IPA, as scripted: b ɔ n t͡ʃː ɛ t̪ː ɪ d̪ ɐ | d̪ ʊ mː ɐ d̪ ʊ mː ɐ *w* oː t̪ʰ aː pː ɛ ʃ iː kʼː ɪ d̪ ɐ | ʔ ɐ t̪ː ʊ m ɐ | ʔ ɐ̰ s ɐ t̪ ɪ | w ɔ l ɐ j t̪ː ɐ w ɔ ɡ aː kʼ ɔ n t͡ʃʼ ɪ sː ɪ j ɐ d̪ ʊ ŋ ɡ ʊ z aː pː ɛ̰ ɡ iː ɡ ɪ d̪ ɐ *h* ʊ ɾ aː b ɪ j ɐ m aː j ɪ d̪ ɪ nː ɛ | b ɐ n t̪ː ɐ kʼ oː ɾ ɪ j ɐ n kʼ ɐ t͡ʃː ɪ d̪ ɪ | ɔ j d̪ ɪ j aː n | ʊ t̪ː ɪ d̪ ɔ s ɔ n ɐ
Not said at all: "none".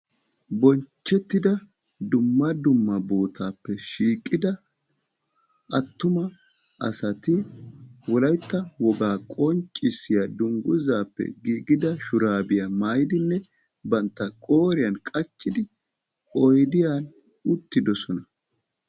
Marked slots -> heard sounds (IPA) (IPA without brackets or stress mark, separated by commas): b, ʃ